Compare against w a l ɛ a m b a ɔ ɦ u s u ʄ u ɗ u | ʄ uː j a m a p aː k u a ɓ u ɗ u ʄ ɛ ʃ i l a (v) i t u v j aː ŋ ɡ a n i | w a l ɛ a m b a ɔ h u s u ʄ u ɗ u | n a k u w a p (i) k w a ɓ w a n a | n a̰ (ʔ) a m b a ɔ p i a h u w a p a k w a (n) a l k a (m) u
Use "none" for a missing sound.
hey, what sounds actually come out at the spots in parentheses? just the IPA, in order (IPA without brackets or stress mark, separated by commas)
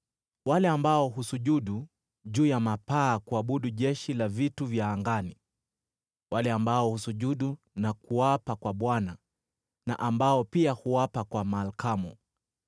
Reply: v, a, ʔ, m, m